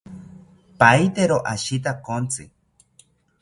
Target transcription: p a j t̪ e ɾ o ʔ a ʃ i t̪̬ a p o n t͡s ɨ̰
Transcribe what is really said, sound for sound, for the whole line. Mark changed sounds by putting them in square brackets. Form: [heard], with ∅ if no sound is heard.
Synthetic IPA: p a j t̪ e ɾ o ʔ a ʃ i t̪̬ a [k] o n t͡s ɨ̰